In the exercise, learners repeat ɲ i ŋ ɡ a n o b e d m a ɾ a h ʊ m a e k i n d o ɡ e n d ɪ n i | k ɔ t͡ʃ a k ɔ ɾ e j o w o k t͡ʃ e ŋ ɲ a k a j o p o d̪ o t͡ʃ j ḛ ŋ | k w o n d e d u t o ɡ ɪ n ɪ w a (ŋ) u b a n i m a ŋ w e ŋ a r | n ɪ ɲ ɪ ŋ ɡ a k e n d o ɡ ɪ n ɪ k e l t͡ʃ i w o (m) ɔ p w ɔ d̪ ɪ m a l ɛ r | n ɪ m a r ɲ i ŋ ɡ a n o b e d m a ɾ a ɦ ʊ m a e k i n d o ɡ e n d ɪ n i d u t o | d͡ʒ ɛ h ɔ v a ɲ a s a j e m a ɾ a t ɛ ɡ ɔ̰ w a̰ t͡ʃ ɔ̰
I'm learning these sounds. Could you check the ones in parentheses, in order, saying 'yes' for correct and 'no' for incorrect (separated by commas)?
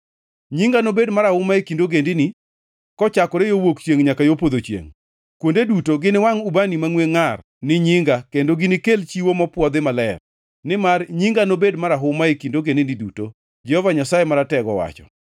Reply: yes, yes